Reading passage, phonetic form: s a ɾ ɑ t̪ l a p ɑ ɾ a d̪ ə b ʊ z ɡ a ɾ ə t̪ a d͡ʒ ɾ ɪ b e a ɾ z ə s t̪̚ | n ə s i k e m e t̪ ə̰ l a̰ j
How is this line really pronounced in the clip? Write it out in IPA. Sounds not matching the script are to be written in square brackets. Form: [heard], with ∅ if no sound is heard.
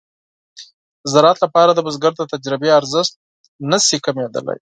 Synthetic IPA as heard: [z] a ɾ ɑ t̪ l a p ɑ ɾ a d̪ ə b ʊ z ɡ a ɾ ə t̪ a d͡ʒ ɾ ɪ b e a ɾ z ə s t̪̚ | n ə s i k [a] m e [d̪] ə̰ l a̰ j